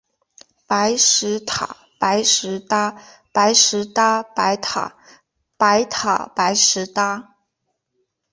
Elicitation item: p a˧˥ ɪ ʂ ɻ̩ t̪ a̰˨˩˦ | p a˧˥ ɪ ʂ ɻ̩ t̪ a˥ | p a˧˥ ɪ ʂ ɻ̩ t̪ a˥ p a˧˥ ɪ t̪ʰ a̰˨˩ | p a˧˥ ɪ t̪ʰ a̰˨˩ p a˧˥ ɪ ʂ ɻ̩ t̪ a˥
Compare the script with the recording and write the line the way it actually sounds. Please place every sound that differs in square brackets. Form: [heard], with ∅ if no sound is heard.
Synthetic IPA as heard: p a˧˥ ɪ ʂ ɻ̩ [t̪ʰ] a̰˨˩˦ | p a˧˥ ɪ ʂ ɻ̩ t̪ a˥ | p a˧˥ ɪ ʂ ɻ̩ t̪ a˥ p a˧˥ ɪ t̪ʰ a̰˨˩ | p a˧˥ ɪ t̪ʰ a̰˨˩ p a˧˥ ɪ ʂ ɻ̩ t̪ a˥